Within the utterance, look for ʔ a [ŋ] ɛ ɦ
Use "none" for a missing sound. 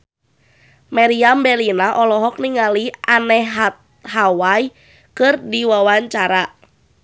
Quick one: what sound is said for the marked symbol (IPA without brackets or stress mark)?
n